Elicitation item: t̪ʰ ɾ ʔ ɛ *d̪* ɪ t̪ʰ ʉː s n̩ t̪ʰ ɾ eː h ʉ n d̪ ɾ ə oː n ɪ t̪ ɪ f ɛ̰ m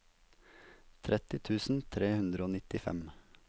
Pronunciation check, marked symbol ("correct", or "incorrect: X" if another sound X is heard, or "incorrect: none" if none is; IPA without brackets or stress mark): incorrect: t̪